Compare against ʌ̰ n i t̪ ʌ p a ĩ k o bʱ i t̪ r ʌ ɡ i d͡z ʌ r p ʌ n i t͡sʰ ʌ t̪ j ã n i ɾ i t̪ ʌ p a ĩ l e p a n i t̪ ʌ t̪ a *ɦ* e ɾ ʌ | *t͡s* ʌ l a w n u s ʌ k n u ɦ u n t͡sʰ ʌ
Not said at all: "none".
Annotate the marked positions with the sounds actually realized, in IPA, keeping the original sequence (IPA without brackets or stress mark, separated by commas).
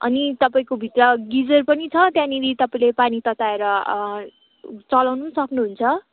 none, t͡s